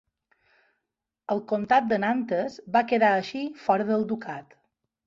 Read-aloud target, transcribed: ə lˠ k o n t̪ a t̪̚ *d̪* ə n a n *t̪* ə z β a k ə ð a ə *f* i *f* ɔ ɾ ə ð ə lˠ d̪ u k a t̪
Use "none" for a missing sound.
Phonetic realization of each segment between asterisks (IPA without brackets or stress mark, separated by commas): d̪, t̪, ʃ, f